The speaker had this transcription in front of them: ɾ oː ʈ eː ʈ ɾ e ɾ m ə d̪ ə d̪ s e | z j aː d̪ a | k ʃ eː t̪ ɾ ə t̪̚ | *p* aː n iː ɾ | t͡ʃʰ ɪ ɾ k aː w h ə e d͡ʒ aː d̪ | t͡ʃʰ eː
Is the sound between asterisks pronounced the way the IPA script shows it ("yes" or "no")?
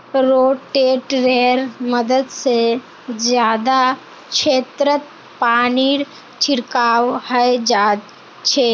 yes